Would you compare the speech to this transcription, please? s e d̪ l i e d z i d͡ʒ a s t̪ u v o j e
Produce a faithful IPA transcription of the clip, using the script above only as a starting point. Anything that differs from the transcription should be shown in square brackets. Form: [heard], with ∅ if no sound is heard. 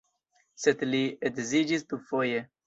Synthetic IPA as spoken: s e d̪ l i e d z i d͡ʒ [i] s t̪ u [f] o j e